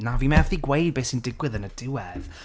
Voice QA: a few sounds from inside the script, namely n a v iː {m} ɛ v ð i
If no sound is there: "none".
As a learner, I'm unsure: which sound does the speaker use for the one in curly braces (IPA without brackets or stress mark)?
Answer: m